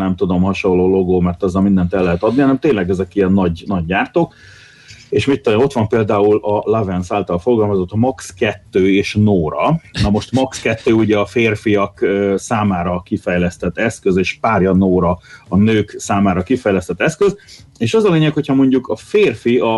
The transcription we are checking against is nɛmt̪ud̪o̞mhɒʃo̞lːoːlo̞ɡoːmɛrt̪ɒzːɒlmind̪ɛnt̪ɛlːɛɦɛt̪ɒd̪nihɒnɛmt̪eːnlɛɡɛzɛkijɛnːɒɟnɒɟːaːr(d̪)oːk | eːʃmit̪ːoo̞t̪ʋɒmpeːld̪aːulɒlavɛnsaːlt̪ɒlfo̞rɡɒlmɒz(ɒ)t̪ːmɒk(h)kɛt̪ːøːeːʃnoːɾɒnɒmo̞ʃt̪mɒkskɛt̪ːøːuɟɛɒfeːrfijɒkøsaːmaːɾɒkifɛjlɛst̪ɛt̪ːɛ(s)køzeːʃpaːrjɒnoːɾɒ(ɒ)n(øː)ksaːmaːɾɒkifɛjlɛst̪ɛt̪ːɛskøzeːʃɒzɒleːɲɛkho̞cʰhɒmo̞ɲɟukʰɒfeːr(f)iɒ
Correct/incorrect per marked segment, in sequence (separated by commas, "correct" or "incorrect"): incorrect, incorrect, incorrect, correct, correct, correct, correct